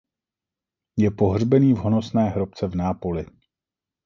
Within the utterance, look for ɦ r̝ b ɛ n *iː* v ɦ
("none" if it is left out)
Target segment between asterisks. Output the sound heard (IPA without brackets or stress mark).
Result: iː